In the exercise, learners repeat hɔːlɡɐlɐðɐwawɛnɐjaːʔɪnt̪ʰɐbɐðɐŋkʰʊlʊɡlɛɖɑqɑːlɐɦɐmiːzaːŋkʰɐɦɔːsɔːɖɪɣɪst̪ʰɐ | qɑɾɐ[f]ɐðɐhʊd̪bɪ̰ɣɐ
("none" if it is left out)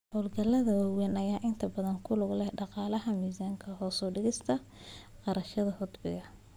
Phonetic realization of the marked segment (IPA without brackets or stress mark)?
ʃ